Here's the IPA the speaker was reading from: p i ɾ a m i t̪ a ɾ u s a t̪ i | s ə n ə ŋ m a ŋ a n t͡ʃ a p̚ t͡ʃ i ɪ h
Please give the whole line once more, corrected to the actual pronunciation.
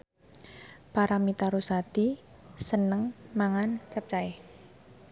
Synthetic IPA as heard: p a ɾ a m i t̪ a ɾ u s a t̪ i | s ə n ə ŋ m a ŋ a n t͡ʃ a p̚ t͡ʃ a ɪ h